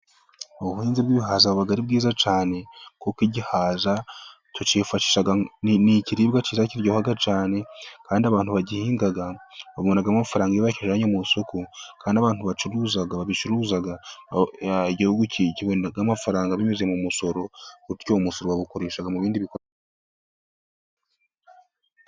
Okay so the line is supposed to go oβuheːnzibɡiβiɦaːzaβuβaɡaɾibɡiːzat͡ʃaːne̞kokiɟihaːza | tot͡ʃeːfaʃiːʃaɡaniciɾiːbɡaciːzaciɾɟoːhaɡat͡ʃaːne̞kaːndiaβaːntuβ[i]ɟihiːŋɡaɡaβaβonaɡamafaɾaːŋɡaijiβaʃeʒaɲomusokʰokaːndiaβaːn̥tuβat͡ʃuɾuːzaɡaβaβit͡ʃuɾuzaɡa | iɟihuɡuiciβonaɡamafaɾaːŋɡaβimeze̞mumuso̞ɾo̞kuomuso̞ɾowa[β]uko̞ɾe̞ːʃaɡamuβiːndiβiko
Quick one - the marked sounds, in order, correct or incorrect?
incorrect: a, correct

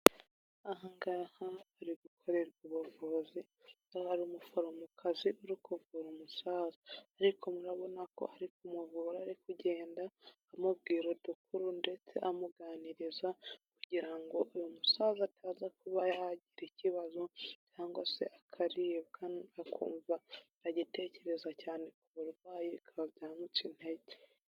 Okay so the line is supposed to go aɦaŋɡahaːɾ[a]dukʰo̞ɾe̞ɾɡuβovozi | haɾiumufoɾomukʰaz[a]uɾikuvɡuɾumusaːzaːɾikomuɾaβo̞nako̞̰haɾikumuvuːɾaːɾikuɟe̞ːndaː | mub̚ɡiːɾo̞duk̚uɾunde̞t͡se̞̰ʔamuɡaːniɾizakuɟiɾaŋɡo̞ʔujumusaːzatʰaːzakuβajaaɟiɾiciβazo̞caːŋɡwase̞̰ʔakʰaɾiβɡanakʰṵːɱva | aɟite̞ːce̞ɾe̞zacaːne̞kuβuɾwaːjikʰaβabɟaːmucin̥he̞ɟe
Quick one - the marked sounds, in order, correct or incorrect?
incorrect: i, incorrect: i

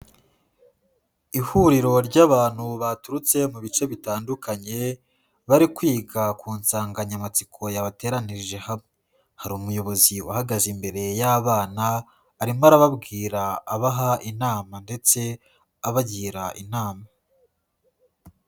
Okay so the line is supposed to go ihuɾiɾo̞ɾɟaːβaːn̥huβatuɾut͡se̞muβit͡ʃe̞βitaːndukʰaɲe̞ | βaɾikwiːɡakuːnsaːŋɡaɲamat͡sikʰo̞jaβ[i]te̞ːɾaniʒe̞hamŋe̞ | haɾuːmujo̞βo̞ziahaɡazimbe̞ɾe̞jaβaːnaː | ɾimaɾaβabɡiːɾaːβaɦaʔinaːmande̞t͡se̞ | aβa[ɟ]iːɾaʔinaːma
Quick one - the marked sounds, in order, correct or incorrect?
incorrect: a, correct

